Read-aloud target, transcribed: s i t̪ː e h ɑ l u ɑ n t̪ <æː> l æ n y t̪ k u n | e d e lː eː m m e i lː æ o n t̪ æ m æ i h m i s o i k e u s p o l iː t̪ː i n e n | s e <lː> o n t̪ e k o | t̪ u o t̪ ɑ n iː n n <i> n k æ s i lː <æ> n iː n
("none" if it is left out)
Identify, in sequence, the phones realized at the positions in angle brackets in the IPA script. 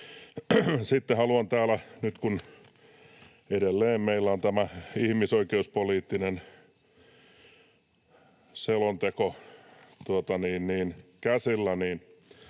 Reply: æː, l, iː, æ

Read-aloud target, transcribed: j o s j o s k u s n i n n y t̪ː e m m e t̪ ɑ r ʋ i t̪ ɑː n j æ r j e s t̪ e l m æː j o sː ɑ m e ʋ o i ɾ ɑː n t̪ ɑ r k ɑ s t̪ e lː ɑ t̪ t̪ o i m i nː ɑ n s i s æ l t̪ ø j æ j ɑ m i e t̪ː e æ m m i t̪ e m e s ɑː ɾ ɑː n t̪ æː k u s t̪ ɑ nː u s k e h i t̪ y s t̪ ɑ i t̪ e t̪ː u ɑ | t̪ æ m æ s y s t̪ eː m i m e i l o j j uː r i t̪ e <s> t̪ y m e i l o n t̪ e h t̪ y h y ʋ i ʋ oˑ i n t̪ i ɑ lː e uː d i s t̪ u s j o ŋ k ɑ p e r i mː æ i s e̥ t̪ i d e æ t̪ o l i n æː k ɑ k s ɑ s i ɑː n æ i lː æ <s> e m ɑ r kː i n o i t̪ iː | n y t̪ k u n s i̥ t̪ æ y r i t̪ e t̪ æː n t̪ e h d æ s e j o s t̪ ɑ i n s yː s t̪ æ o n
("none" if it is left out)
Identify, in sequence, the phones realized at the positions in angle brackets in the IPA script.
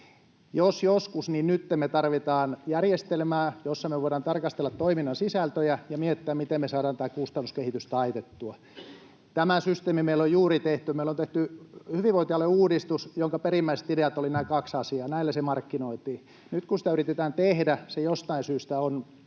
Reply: h, s

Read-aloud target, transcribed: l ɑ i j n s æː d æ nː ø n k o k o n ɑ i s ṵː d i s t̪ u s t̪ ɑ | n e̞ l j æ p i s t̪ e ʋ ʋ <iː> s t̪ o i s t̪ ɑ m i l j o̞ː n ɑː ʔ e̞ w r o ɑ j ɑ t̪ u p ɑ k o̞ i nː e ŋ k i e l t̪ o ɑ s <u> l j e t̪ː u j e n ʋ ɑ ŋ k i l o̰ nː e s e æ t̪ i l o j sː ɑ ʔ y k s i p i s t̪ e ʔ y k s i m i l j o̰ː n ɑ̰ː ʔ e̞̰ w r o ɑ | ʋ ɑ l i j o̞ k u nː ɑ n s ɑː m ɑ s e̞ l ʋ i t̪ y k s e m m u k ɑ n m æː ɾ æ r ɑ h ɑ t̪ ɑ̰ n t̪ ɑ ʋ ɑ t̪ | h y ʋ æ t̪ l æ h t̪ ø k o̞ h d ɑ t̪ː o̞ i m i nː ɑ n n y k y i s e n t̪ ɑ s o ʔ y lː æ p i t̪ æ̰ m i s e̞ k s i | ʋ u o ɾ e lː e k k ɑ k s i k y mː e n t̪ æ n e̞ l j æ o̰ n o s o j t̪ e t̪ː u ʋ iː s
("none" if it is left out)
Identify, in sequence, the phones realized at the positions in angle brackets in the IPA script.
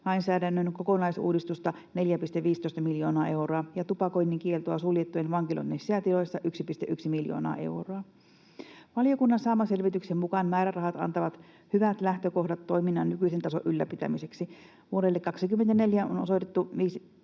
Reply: iː, u

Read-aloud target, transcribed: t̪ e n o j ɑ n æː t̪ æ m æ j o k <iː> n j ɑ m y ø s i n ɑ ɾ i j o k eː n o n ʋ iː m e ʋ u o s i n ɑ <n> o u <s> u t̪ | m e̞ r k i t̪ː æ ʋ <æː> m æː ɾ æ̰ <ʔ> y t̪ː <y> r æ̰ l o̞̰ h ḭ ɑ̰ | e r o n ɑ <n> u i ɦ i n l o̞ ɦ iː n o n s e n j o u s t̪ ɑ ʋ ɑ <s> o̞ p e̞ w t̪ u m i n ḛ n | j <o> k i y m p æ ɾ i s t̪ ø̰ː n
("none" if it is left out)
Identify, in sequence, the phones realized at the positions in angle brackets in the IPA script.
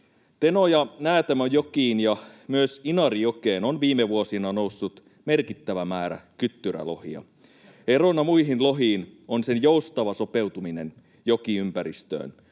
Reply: iː, n, sː, æ, k, y, m, s, o

